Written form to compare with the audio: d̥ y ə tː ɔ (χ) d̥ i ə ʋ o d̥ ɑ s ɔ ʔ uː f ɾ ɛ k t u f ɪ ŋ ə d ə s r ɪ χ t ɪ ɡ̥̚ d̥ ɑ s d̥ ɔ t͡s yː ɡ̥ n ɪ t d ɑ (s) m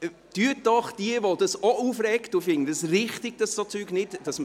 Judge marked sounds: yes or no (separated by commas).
yes, yes